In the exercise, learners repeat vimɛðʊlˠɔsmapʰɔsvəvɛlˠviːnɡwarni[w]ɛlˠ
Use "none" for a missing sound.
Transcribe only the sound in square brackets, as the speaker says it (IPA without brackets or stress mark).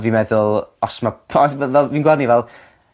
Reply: v